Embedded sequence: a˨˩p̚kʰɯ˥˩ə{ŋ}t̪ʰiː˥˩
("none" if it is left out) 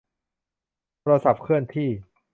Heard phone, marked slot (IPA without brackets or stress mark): n